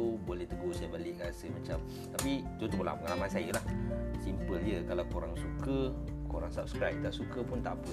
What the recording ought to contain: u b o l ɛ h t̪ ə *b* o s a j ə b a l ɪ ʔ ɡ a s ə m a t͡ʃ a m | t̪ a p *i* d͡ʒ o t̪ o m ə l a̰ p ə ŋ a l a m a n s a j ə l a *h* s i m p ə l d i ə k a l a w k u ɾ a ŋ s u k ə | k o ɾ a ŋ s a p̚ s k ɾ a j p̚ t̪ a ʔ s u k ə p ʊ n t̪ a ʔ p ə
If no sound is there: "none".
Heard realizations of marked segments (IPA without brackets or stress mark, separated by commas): ɡ, i, h